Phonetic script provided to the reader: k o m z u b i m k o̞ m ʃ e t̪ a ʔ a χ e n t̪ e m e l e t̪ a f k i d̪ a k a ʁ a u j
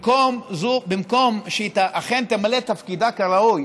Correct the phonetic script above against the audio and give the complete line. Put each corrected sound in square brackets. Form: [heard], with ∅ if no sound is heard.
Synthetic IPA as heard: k o m z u b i m k o̞ m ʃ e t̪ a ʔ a χ e n t̪ e m [a] l e t̪ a f k i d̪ a k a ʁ a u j